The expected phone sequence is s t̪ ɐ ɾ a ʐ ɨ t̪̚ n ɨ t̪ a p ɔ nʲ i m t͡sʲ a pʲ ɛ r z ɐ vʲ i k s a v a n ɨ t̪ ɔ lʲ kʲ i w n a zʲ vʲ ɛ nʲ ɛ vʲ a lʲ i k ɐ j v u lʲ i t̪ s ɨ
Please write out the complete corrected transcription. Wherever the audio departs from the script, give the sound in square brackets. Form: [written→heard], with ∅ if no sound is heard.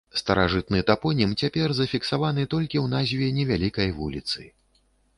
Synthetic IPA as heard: s t̪ ɐ ɾ a ʐ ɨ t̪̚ n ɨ t̪ a p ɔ nʲ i m t͡sʲ a pʲ ɛ r z ɐ [vʲ→fʲ] i k s a v a n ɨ t̪ ɔ lʲ kʲ i w n a zʲ vʲ ɛ nʲ ɛ vʲ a lʲ i k ɐ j v u lʲ i t̪ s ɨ